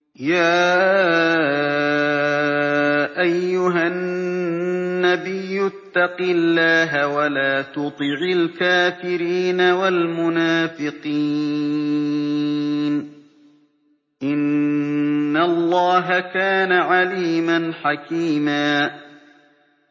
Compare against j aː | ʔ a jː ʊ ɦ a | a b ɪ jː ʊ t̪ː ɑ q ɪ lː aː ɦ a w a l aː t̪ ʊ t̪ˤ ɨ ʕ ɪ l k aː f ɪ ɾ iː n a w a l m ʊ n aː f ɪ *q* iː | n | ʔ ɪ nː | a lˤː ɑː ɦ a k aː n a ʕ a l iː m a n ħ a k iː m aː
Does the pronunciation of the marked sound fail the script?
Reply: no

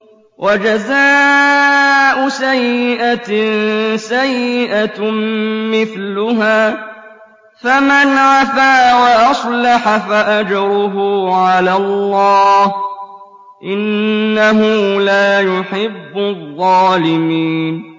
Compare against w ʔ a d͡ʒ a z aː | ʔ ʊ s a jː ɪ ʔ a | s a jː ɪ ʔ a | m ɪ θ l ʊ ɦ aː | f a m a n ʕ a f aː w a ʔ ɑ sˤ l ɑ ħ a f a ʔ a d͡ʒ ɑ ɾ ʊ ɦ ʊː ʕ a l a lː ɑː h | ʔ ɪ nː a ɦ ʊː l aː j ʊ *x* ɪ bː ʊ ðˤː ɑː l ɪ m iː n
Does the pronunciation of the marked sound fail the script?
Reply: yes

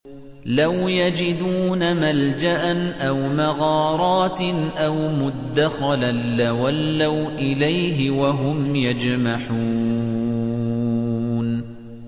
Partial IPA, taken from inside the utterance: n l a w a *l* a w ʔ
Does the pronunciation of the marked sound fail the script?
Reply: yes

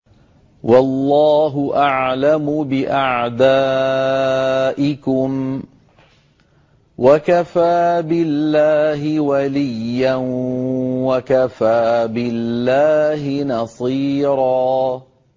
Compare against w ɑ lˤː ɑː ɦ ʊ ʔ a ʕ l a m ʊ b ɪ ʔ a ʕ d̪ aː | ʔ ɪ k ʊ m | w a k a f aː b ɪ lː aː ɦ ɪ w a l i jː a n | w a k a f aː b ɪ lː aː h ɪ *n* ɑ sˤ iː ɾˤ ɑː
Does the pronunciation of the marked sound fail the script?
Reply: no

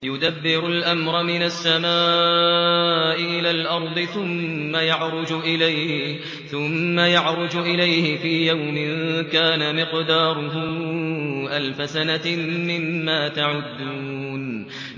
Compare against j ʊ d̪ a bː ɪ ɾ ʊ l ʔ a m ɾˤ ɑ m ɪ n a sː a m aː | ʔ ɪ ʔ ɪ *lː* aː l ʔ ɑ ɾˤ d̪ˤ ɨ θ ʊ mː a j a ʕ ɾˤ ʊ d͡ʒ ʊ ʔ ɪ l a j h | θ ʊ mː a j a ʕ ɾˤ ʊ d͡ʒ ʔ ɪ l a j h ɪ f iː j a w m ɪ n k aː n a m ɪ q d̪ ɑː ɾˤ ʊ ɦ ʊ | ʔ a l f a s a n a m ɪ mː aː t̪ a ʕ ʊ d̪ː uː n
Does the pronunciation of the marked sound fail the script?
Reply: yes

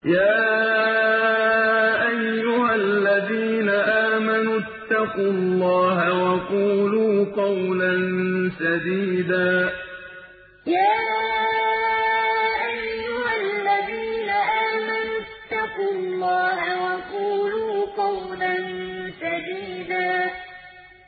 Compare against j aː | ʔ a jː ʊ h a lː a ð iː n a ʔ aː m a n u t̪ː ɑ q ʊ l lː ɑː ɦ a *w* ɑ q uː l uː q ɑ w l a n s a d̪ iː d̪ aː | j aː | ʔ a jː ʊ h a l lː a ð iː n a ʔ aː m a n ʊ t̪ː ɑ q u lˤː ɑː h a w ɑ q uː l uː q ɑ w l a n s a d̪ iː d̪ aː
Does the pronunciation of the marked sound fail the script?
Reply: no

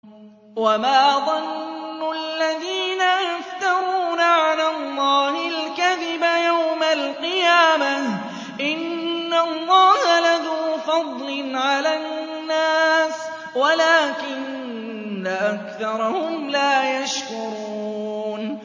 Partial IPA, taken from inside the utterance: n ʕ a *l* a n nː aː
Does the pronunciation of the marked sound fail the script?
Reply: no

